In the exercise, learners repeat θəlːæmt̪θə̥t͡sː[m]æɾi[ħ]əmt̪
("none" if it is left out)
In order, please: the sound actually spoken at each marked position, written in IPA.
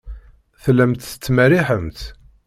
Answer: m, ħ

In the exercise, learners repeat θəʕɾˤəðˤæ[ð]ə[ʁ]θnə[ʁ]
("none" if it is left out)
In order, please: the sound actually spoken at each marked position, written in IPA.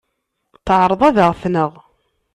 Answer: ð, ʁ, ʁ

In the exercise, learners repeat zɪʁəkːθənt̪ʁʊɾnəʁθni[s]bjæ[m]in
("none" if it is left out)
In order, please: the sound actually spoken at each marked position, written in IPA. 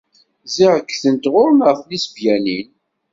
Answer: s, n

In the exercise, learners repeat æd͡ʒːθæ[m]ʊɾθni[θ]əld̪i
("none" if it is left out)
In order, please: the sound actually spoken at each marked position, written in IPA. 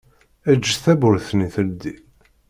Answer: b, θ

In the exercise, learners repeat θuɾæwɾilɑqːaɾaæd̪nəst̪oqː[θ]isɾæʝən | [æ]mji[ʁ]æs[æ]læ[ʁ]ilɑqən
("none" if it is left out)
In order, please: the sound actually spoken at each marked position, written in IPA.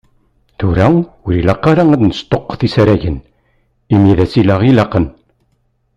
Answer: θ, i, ð, i, ʁ

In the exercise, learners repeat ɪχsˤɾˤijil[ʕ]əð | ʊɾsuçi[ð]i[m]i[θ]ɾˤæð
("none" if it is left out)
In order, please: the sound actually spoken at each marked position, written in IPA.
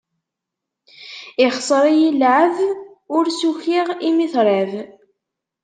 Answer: ʕ, ʁ, m, θ

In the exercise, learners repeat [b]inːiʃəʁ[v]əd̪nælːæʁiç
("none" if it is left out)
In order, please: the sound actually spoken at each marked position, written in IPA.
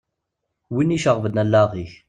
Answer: w, v

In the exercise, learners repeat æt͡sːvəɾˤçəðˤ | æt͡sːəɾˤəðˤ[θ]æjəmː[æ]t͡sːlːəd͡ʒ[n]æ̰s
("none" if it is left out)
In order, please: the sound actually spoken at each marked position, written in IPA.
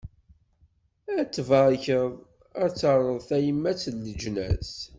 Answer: θ, æ, n

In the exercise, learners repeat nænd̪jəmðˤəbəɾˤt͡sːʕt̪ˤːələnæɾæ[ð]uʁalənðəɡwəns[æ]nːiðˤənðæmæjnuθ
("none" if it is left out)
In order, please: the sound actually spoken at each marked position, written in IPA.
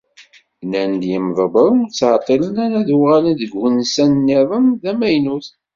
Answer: ð, æ

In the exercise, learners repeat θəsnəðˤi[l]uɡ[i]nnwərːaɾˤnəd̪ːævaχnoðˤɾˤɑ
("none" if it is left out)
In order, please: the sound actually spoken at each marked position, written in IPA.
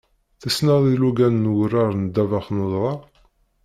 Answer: l, æ

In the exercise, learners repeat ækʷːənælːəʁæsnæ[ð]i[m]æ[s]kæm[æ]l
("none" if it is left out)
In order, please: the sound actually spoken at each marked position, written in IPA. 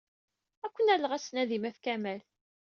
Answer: ð, m, f, æ

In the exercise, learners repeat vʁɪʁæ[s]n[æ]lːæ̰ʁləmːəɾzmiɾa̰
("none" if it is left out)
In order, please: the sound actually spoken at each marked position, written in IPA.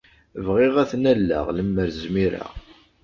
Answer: θ, æ

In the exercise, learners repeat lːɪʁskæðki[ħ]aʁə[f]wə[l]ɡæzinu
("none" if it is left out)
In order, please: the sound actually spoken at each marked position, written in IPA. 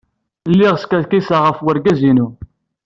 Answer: s, f, ɾ

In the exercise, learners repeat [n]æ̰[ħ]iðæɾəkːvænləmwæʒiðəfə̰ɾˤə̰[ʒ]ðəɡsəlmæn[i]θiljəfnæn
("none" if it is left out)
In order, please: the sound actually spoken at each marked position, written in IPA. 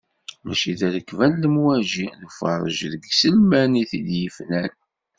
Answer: m, ʃ, ʒ, i

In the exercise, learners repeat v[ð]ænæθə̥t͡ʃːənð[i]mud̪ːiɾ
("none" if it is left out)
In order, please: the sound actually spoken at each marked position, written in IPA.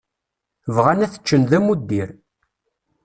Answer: ʁ, æ

